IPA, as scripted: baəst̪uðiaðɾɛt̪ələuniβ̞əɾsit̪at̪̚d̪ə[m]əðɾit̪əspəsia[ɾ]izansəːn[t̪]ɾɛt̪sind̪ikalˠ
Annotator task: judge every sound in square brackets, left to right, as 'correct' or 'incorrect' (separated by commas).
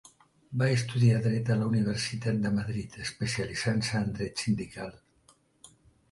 correct, incorrect, incorrect